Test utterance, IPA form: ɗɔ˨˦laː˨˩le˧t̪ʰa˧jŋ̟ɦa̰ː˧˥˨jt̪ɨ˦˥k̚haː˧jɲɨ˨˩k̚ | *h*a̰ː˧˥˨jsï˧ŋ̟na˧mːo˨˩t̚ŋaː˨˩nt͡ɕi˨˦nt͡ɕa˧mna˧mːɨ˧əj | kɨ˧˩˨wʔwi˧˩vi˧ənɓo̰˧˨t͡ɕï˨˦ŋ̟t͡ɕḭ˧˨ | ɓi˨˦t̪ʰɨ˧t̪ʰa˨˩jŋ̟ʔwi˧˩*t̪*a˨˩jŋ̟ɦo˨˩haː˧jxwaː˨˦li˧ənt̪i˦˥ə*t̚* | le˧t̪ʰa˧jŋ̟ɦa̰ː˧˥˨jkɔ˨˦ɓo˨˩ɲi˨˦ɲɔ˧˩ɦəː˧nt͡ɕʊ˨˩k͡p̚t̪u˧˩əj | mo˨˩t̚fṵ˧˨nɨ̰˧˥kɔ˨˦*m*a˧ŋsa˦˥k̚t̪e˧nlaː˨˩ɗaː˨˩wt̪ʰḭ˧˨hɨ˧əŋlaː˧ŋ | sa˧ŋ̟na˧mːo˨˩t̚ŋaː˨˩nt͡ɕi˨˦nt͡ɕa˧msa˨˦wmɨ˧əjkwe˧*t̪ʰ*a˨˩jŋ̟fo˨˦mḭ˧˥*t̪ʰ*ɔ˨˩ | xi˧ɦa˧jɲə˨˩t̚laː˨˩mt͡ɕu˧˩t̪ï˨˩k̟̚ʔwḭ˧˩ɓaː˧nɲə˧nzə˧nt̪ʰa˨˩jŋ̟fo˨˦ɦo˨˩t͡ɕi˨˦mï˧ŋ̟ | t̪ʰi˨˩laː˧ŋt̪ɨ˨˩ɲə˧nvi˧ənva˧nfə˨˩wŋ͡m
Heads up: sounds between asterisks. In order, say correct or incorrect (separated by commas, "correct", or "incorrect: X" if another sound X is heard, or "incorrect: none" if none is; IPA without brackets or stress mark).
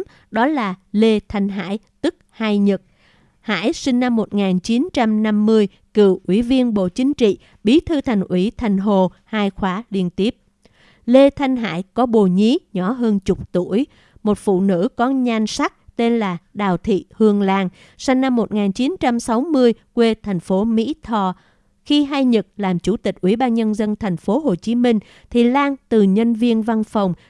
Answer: correct, incorrect: t̪ʰ, incorrect: p̚, incorrect: ɲ, correct, correct